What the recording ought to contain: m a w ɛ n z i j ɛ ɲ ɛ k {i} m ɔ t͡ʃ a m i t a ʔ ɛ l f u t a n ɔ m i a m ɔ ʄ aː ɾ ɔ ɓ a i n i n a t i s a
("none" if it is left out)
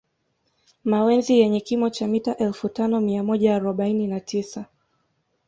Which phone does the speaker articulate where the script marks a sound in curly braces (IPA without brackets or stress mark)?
i